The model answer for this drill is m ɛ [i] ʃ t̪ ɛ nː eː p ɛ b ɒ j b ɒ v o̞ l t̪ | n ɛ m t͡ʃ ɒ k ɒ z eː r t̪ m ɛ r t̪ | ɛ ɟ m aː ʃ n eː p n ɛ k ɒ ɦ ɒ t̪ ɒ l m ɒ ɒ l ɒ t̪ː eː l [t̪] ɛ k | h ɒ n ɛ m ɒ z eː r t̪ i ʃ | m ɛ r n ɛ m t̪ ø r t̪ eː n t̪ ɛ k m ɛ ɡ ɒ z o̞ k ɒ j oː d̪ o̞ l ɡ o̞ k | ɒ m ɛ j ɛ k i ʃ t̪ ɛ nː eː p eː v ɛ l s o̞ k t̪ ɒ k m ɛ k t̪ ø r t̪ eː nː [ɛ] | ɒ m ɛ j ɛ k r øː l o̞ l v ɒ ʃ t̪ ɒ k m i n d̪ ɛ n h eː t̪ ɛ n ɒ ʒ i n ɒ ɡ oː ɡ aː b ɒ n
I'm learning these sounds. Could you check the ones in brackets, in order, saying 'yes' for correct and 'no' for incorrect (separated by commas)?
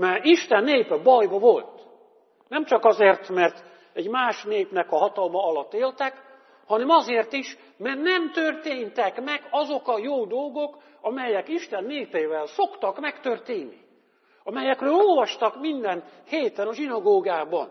yes, yes, no